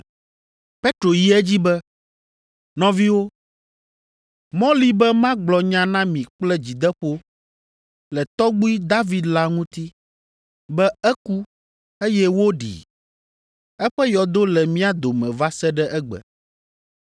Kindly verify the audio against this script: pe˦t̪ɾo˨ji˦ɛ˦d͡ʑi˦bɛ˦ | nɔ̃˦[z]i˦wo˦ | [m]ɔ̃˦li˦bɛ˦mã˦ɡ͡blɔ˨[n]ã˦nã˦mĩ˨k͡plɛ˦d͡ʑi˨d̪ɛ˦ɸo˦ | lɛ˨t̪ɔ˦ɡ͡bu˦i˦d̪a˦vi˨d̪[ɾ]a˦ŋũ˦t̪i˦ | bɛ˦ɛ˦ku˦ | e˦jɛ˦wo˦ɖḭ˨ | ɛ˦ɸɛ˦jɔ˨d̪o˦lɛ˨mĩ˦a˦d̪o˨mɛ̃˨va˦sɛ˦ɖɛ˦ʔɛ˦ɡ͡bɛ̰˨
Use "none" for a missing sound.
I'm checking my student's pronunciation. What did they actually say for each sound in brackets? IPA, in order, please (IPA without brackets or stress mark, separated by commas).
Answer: v, m, ɲ, l